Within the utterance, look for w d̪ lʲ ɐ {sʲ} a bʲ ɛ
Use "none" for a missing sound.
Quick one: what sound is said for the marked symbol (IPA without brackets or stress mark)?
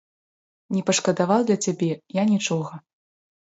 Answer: t͡sʲ